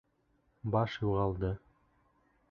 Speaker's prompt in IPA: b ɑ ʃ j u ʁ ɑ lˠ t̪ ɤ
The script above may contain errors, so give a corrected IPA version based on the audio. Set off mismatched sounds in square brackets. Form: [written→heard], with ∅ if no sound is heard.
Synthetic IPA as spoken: b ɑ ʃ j u ʁ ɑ lˠ [t̪→d̪] ɤ